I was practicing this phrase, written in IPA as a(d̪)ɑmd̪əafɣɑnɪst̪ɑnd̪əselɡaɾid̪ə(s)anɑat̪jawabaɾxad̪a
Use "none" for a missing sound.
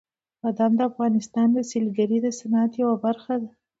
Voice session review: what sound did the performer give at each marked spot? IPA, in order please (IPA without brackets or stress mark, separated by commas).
d̪, s